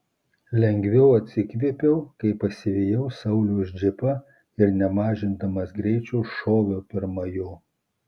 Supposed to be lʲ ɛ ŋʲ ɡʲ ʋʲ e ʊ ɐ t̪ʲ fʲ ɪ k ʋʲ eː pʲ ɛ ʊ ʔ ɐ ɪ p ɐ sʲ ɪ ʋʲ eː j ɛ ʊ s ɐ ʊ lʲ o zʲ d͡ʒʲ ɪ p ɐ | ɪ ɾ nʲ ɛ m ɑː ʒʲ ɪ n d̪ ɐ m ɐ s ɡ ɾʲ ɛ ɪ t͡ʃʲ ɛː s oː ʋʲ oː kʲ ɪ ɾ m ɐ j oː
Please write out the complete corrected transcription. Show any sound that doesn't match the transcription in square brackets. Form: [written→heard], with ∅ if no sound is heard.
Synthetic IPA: lʲ ɛ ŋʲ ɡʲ ʋʲ [e→ɛ] ʊ ɐ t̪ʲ [fʲ→sʲ] ɪ k ʋʲ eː pʲ ɛ ʊ [ʔ→k] ɐ ɪ p ɐ sʲ ɪ ʋʲ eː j ɛ ʊ s ɐ ʊ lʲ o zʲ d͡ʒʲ ɪ p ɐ | ɪ ɾ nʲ ɛ m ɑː ʒʲ ɪ n d̪ ɐ m ɐ s ɡ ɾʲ ɛ ɪ t͡ʃʲ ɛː [s→ʃ] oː ʋʲ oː [kʲ→pʲ] ɪ ɾ m ɐ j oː

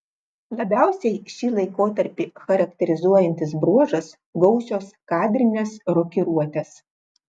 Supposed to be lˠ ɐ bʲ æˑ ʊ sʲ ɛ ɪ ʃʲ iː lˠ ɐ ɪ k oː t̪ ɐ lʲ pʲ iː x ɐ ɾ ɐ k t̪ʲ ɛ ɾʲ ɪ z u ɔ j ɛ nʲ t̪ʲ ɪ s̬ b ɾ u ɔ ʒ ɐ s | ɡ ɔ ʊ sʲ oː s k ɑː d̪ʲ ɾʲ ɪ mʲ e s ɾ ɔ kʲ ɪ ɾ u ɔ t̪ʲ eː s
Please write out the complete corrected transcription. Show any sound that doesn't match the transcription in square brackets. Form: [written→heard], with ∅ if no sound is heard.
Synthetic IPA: lˠ ɐ bʲ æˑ ʊ sʲ ɛ ɪ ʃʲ iː lˠ ɐ ɪ k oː t̪ ɐ [lʲ→ɾʲ] pʲ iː x ɐ ɾ ɐ k t̪ʲ ɛ ɾʲ ɪ z u ɔ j ɛ nʲ t̪ʲ ɪ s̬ b ɾ u ɔ ʒ ɐ s | ɡ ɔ ʊ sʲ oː s k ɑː d̪ʲ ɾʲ ɪ [mʲ→nʲ] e s ɾ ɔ kʲ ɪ ɾ u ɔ t̪ʲ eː s

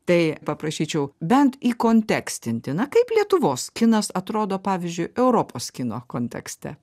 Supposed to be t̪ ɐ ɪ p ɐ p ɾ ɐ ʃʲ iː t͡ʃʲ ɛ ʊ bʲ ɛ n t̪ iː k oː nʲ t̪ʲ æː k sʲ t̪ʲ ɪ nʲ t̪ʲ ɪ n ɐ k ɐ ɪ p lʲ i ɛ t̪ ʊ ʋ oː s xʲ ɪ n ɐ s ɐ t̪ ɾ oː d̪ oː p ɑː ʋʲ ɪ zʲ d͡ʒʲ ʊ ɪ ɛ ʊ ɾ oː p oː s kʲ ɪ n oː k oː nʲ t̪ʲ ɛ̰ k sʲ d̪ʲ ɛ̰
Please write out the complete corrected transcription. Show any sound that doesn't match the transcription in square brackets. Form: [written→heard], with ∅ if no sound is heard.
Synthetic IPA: t̪ ɐ ɪ p ɐ p ɾ ɐ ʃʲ iː t͡ʃʲ ɛ ʊ bʲ ɛ n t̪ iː k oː nʲ t̪ʲ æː k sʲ t̪ʲ ɪ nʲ t̪ʲ ɪ n ɐ k ɐ ɪ p lʲ i ɛ t̪ ʊ ʋ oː s [xʲ→kʲ] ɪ n ɐ s ɐ t̪ ɾ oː d̪ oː p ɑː ʋʲ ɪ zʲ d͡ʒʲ ʊ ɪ ɛ ʊ ɾ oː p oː s kʲ ɪ n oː k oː nʲ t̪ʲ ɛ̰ k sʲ [d̪ʲ→t̪ʲ] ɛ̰

